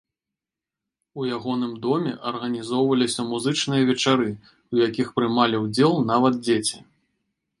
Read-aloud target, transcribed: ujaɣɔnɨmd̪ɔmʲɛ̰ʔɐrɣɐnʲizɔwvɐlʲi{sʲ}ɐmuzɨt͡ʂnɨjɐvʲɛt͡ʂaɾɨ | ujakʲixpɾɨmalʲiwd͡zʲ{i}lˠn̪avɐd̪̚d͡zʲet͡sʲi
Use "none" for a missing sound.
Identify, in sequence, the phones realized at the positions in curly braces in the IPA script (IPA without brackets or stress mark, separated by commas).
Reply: sʲ, ɛ